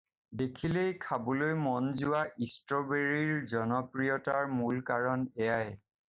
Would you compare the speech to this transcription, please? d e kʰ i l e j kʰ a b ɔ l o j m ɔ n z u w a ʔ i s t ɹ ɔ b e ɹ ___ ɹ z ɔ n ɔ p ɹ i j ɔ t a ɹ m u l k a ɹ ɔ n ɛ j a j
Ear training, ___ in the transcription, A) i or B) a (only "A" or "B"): A